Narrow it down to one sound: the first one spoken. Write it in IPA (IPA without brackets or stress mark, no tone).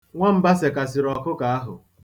ŋʷ